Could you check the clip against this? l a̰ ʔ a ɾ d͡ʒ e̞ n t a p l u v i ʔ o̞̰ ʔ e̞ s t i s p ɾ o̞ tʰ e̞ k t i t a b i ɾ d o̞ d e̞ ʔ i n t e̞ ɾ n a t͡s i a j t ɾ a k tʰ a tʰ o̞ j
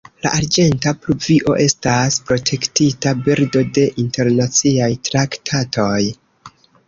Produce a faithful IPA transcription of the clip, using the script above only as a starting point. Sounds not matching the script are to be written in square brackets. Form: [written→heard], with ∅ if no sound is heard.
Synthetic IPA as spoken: l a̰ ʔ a ɾ d͡ʒ e̞ n t a p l u v i ʔ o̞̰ ʔ e̞ s t [i→a] s p ɾ o̞ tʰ e̞ k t i t a b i ɾ d o̞ d e̞ ʔ i n t e̞ ɾ n a t͡s i a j t ɾ a k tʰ a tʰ o̞ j